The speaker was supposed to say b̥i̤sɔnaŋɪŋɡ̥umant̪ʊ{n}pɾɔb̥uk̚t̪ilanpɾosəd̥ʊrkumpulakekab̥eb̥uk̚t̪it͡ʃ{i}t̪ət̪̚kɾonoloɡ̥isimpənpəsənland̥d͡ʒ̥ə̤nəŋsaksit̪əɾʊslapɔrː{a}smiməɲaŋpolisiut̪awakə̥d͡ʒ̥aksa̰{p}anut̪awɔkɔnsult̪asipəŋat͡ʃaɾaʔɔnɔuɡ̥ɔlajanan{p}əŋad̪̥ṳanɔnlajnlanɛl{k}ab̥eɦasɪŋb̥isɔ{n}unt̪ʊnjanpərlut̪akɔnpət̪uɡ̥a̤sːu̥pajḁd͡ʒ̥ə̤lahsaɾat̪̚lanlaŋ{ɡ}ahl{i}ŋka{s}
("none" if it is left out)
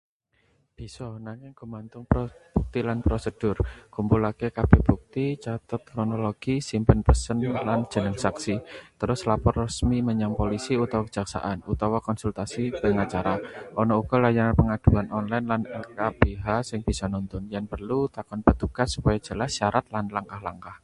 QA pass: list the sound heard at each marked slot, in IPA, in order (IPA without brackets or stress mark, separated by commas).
ŋ, a, ə, ʔ, p, k, n, k, a, h